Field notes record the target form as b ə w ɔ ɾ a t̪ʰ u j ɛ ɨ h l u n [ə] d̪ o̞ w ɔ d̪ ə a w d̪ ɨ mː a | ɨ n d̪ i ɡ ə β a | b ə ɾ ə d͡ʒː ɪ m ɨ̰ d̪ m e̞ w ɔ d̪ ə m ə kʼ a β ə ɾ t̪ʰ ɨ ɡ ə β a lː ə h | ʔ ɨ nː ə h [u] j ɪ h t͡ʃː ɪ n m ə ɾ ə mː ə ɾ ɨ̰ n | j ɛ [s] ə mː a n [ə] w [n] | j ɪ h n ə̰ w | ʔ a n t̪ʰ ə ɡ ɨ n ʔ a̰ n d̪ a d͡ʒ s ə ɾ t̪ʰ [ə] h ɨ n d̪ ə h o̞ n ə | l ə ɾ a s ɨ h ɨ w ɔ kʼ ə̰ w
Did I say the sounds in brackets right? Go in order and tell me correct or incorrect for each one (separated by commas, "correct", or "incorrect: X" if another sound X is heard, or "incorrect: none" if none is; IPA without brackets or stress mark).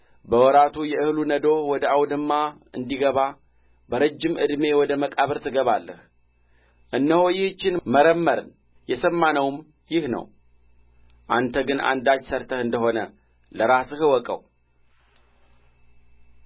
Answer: correct, incorrect: o, correct, correct, incorrect: m, correct